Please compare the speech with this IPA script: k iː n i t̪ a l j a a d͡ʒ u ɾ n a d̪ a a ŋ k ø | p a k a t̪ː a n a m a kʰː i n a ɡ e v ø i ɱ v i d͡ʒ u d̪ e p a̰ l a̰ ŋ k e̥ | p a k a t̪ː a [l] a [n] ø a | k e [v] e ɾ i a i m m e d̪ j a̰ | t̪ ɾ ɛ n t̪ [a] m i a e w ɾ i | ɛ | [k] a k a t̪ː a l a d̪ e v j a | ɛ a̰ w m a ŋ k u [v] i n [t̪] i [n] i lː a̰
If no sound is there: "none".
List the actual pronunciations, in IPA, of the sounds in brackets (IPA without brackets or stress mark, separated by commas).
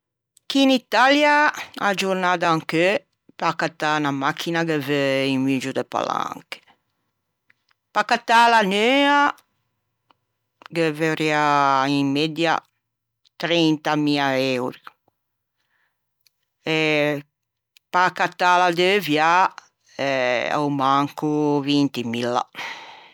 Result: l, n, v, a, p, v, t̪, m